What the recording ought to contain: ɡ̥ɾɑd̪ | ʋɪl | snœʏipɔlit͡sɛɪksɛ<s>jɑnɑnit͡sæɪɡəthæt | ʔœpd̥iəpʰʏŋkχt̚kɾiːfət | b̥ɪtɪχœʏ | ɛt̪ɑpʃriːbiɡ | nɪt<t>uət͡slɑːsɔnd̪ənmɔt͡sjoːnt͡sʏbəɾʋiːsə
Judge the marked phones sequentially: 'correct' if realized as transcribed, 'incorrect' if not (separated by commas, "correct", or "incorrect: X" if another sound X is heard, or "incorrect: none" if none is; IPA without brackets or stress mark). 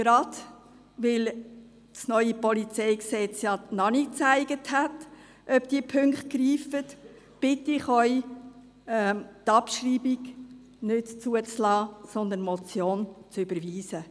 incorrect: t͡s, incorrect: t͡s